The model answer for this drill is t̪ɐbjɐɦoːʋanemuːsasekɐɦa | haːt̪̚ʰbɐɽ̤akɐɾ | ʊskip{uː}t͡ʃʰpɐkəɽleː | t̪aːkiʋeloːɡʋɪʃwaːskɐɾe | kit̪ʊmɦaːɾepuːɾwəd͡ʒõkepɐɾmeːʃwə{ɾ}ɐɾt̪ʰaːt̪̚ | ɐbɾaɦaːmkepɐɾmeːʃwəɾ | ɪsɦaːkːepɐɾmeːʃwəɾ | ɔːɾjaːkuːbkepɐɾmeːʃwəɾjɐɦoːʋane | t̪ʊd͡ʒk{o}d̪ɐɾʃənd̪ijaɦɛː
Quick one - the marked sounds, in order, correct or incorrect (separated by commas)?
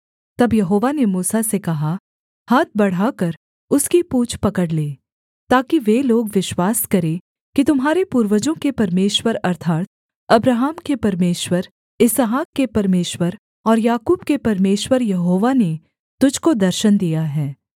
correct, correct, correct